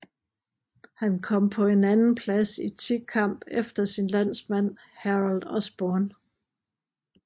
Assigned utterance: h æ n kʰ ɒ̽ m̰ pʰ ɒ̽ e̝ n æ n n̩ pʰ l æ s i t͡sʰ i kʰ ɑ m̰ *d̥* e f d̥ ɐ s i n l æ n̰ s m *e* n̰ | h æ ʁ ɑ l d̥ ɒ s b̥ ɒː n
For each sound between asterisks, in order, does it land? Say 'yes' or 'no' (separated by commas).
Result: no, no